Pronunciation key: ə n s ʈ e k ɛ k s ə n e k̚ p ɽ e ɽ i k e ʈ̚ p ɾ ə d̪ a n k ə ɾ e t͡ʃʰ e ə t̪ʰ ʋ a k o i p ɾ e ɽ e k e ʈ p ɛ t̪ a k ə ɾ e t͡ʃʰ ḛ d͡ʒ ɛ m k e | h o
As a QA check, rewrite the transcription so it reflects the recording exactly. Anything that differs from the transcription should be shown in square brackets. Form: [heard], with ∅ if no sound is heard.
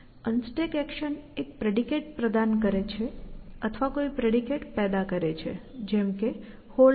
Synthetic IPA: ə n s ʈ e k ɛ k [ʃ] ə n e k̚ p [ɾ] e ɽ i k e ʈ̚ p ɾ ə d̪ a n k ə ɾ e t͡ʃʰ e ə t̪ʰ ʋ a k o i p ɾ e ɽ [i] k e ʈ p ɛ [d̪] a k ə ɾ e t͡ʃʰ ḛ d͡ʒ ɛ m k e | h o